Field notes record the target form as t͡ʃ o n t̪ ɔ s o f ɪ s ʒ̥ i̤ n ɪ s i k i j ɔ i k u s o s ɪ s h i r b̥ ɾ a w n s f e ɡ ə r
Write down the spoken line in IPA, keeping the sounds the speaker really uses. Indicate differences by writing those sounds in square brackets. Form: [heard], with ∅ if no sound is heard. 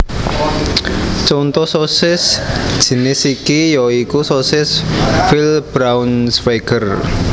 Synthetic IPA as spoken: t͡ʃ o n t̪ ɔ s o [s] ɪ s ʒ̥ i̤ n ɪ s i k i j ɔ i k u s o s ɪ s [f] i [l] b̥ ɾ a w n s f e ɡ ə r